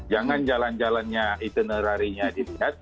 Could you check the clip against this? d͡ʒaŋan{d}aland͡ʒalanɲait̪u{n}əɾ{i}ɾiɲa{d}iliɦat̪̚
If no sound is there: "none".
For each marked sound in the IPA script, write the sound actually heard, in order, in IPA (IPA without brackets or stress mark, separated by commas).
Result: d͡ʒ, n, a, d